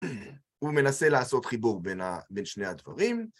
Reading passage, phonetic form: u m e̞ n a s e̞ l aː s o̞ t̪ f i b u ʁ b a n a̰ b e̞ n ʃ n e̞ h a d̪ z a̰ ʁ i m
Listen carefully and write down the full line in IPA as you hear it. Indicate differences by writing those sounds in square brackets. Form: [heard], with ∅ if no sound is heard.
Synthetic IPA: u m e̞ n a s e̞ l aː s o̞ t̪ [χ] i b u ʁ b [e] n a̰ b e̞ n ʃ n e̞ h a d̪ [v] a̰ ʁ i m